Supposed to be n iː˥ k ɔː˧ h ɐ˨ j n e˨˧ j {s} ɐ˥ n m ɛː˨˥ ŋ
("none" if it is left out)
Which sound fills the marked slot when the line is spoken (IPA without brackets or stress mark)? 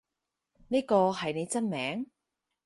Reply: t͡s